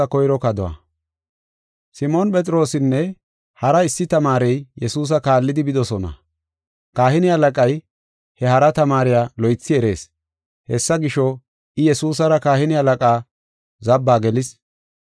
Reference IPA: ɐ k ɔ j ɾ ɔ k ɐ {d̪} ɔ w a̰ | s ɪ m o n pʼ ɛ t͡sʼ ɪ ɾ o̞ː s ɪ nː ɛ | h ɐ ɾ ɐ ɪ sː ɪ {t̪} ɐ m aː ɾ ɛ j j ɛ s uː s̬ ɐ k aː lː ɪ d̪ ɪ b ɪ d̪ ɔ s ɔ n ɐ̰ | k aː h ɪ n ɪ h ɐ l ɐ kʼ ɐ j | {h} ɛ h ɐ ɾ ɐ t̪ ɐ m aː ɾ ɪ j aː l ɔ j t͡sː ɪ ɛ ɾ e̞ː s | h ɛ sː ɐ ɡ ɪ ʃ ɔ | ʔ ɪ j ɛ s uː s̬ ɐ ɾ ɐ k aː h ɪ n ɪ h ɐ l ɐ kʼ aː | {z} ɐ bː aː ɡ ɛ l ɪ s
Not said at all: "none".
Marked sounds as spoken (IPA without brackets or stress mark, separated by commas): d̪, t̪, h, z